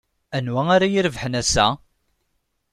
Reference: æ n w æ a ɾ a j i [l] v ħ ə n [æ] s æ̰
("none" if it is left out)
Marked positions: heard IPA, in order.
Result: ɾ, æ

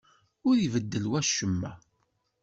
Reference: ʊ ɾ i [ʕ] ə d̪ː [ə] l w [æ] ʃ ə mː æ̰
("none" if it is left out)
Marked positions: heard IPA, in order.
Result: v, ə, æ

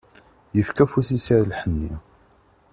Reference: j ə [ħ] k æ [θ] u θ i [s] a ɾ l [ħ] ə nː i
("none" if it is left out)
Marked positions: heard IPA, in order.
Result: f, f, s, ħ

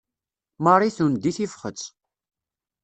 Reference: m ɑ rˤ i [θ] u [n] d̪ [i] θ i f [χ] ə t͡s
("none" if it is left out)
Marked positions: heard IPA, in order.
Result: θ, n, i, χ

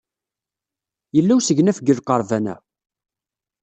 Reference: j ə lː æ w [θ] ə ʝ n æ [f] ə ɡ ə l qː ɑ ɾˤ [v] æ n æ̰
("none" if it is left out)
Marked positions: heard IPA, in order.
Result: s, f, v

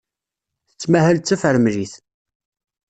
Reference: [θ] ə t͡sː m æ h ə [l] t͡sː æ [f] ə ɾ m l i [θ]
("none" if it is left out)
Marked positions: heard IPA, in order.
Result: θ, l, f, θ

